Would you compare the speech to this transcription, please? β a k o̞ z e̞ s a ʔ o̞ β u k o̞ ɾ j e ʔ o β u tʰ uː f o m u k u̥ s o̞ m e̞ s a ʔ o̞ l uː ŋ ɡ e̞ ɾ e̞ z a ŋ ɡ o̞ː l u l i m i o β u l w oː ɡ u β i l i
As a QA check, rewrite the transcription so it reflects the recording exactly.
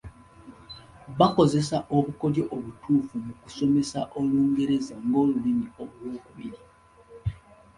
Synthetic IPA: β a k o̞ z e̞ s a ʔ o̞ β u k o̞ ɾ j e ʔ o β u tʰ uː f u m u k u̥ s o̞ m e̞ s a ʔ o̞ l uː ŋ ɡ e̞ ɾ e̞ z a ŋ ɡ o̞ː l u l i m i o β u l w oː k u β i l i